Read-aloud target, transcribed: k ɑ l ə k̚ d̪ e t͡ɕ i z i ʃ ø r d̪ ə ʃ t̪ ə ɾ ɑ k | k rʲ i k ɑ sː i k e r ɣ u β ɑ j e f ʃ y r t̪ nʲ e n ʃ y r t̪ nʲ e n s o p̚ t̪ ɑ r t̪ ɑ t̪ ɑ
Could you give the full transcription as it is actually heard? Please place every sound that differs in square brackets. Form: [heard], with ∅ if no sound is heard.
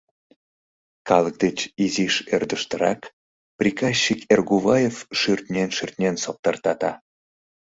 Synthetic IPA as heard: k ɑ l ə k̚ d̪ e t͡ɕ i z i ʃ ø r d̪ ə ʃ t̪ ə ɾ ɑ k | [p] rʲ i k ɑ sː i k e r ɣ u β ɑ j e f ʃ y r t̪ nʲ e n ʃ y r t̪ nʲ e n s o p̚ t̪ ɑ r t̪ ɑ t̪ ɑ